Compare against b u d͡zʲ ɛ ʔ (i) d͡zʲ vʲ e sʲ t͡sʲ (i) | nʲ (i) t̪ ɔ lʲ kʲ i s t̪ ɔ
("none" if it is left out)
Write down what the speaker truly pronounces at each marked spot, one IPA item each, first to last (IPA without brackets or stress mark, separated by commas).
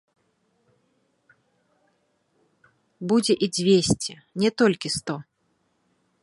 i, ɛ, ɛ